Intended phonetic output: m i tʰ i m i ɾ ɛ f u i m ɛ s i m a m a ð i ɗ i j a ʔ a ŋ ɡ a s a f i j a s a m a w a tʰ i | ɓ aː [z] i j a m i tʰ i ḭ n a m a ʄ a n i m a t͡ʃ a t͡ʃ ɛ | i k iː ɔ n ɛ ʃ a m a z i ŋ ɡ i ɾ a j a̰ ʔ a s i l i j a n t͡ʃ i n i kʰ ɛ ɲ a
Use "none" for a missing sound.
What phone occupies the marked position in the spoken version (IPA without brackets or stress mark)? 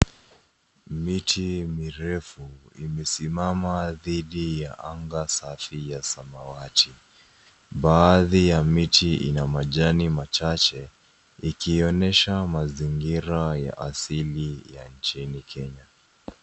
ð